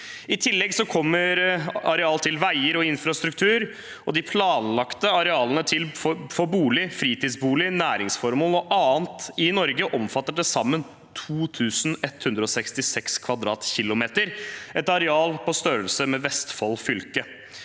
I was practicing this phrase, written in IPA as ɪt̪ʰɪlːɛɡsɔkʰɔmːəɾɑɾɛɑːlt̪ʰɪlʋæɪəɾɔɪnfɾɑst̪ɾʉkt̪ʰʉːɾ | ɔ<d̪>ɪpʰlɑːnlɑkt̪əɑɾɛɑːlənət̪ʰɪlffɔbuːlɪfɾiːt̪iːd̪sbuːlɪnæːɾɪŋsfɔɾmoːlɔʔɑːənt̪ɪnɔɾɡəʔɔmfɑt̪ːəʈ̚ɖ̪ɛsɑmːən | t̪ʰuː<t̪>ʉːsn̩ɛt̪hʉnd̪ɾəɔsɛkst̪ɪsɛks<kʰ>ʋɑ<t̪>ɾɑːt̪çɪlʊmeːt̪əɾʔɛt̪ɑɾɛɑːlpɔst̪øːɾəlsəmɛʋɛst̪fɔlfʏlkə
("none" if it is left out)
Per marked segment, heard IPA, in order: d̪, t̪ʰ, kʰ, d̪

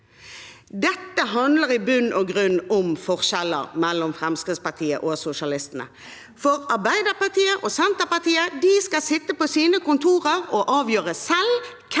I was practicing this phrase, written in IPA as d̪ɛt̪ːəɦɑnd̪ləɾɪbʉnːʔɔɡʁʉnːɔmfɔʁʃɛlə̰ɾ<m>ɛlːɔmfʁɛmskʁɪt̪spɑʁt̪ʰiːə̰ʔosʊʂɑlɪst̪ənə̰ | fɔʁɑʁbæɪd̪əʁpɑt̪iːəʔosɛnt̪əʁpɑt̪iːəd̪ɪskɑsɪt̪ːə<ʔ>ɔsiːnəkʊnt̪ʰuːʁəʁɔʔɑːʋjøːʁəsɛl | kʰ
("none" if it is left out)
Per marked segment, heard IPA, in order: m, p

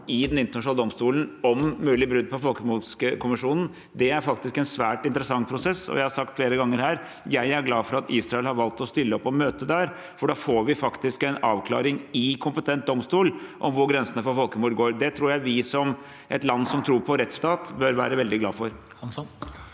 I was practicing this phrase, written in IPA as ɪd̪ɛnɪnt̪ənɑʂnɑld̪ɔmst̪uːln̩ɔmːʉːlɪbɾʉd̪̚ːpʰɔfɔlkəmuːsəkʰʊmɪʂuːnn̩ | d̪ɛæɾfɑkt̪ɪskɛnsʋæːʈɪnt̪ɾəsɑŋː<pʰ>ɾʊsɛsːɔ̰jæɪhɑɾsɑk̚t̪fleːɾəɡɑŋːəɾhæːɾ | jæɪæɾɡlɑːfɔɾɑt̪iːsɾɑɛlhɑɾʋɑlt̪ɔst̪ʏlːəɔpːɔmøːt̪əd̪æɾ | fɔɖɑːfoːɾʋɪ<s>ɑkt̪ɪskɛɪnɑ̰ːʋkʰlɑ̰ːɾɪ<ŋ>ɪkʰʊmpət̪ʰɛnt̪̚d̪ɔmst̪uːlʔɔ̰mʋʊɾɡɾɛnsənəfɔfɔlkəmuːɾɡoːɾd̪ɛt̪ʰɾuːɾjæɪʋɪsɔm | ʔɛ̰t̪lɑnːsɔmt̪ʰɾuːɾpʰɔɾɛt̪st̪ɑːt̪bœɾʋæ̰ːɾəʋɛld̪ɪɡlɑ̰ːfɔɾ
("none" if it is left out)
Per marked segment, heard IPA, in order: pʰ, f, ŋ

